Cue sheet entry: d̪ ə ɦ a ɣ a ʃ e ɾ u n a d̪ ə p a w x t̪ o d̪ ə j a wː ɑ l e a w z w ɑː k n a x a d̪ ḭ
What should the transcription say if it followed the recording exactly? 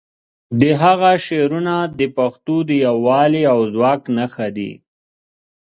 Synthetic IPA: d̪ ə ɦ a ɣ a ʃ e ɾ u n a d̪ ə p a x t̪ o d̪ ə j a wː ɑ l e a w z w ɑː k n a x a d̪ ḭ